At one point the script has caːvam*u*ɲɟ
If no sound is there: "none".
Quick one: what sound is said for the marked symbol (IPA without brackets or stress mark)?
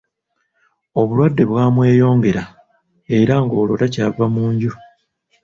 uː